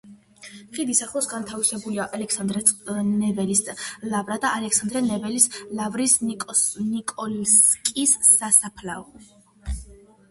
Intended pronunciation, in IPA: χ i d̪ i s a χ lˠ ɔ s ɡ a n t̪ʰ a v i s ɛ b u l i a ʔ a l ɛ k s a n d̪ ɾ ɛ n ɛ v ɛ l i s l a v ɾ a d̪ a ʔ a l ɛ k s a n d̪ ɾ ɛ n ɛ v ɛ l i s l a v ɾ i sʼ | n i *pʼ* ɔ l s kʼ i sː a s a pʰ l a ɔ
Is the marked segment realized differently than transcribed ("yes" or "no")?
yes